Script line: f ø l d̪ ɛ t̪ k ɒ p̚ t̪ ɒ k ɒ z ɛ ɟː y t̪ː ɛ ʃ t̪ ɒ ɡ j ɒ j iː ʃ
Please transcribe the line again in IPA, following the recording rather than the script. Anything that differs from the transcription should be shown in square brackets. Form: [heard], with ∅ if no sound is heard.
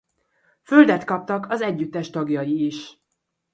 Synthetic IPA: f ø l d̪ ɛ t̪ k ɒ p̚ t̪ ɒ k ɒ z ɛ ɟː y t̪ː ɛ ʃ t̪ ɒ ɡ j ɒ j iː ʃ